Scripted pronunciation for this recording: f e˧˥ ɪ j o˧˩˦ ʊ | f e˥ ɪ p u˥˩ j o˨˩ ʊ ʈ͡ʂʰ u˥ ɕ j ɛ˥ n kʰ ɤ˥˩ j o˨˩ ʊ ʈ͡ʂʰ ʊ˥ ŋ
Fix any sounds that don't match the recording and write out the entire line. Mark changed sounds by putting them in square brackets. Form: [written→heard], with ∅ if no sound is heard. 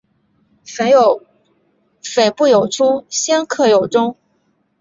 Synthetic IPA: f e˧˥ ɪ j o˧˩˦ ʊ | f [e˥→e˨˩] ɪ p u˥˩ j o˨˩ ʊ ʈ͡ʂʰ u˥ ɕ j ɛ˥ n kʰ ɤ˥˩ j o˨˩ ʊ [ʈ͡ʂʰ→ʈ͡ʂ] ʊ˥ ŋ